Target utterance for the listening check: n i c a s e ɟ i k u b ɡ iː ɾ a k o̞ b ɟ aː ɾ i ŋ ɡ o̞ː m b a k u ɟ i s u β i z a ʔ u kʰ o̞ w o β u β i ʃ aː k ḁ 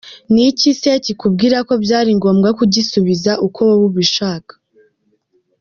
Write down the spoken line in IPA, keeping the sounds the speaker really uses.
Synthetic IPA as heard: n i c i s e c i k u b ɡ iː ɾ a k o̞ b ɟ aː ɾ i ŋ ɡ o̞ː m ɡ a k u ɟ i s u β i z a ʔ u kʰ o̞ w o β u β i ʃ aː k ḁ